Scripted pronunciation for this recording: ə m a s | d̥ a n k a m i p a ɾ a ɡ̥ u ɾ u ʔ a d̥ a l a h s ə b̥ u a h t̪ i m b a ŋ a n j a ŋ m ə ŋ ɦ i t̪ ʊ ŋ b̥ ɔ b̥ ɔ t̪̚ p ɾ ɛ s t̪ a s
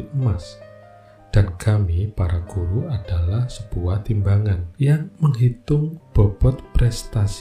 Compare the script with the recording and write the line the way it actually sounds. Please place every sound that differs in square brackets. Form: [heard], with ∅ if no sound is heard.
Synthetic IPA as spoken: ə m a s | d̥ a n k a m i p a ɾ a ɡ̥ u ɾ u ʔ a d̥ a l a h s ə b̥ u a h t̪ i m b a ŋ a n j a ŋ m ə ŋ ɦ i t̪ ʊ ŋ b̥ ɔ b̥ ɔ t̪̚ p ɾ ɛ s t̪ a s